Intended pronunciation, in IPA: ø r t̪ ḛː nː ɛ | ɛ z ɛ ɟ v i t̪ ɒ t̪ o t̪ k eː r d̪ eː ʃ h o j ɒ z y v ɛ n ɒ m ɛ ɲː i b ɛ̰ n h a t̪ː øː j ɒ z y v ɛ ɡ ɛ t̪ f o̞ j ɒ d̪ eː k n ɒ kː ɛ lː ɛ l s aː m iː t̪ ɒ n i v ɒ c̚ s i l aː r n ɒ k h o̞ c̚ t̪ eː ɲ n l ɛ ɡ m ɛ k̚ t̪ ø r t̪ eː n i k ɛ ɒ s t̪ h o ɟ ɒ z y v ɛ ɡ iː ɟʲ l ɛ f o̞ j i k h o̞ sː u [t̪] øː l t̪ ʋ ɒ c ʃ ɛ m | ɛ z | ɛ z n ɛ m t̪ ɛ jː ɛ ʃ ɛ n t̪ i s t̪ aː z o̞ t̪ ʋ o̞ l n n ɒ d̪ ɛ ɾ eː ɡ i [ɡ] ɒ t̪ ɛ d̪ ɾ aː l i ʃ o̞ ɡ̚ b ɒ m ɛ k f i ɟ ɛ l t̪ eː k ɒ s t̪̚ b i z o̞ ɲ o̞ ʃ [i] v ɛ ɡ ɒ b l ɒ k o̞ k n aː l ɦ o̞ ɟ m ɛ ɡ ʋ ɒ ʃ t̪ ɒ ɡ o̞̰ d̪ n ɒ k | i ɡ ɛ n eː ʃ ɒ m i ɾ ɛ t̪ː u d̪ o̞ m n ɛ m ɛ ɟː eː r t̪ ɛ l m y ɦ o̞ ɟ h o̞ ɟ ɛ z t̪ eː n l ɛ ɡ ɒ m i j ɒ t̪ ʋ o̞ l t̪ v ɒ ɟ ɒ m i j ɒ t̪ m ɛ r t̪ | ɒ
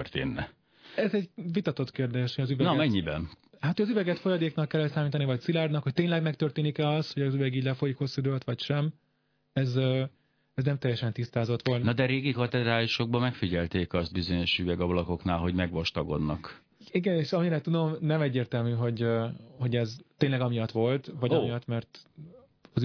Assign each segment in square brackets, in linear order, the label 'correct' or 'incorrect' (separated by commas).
incorrect, incorrect, incorrect